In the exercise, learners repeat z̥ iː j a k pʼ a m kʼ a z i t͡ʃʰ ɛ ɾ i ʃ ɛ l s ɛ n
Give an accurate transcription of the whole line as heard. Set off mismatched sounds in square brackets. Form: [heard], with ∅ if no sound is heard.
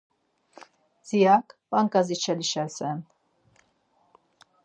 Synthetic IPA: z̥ [i] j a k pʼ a [ŋ] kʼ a z i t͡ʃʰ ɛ [l] i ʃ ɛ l s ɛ n